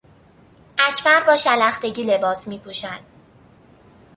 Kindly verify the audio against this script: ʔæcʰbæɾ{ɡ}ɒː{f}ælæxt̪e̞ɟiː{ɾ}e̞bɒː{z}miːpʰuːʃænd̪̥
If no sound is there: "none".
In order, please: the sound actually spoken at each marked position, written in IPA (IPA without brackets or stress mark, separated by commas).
b, ʃ, l, s